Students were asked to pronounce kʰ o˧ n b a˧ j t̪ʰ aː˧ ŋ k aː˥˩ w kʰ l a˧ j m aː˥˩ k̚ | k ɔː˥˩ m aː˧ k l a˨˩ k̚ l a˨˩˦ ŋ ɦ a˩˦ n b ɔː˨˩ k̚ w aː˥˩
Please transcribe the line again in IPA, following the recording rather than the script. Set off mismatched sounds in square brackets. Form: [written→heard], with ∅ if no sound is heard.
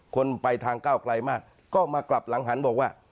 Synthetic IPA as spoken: kʰ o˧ n [b→p] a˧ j t̪ʰ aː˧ ŋ k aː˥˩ w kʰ l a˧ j m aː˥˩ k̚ | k ɔː˥˩ m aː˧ k l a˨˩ [k̚→p̚] l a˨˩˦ ŋ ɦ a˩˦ n b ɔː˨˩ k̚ w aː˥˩

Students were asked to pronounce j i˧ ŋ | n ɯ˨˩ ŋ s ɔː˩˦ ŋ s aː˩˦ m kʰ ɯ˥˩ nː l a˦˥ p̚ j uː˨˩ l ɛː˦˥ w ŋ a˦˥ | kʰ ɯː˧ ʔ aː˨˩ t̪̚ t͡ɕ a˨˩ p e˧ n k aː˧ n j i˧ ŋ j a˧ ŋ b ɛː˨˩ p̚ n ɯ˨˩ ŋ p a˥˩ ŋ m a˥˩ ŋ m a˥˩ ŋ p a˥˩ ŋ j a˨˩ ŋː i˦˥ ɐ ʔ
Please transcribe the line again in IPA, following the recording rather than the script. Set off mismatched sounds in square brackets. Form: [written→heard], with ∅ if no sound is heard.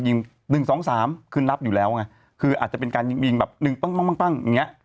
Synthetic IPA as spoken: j i˧ ŋ | n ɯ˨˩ ŋ s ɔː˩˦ ŋ s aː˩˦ m kʰ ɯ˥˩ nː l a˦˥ p̚ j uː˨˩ l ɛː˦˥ w ŋ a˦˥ | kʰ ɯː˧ ʔ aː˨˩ t̪̚ t͡ɕ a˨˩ p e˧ n k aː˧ n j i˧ ŋ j [a˧→i˧] ŋ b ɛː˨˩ p̚ n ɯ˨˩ ŋ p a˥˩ ŋ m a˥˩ ŋ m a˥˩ ŋ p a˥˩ ŋ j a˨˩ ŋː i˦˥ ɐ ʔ

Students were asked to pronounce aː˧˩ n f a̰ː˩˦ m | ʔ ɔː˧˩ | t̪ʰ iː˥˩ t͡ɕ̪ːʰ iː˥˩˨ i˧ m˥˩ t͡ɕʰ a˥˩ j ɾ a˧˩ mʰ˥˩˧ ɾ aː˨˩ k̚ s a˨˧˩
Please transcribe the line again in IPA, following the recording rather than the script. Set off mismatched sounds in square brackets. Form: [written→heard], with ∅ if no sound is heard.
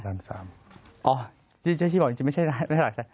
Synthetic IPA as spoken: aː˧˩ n [f→s] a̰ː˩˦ m | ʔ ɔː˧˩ | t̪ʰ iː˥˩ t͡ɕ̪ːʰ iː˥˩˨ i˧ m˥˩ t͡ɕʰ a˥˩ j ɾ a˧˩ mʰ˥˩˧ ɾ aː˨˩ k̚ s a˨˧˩

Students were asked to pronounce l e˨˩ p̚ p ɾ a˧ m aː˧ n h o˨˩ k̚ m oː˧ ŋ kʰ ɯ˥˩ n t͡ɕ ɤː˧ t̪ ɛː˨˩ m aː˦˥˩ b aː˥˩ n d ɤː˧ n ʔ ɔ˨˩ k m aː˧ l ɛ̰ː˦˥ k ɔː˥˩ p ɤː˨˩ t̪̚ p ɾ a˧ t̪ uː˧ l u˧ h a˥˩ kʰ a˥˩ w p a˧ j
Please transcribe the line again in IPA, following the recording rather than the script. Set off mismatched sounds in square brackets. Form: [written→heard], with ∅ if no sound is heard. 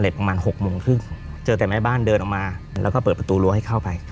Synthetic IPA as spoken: l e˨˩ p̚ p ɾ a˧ m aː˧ n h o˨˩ k̚ m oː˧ ŋ kʰ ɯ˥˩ [n→ŋ] t͡ɕ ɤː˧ t̪ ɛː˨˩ m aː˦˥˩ b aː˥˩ n d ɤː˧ n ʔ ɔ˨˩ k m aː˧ l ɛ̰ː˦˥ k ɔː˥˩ p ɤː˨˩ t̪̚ p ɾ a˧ t̪ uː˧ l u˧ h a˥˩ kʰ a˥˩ w p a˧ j

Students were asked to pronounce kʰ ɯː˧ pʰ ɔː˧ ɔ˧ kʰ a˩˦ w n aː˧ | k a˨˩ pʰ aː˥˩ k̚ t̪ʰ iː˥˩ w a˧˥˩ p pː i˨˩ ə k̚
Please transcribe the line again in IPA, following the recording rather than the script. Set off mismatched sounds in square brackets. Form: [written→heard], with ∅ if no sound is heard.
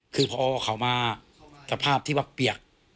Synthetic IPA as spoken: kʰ ɯː˧ pʰ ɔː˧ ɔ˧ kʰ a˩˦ w [n→m] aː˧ | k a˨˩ pʰ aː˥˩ [k̚→p̚] t̪ʰ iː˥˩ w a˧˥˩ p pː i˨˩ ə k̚

